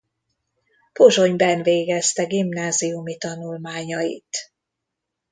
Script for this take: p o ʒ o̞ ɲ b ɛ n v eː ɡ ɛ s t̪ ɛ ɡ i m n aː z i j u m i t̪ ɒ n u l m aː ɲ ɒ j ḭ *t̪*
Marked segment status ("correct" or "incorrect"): correct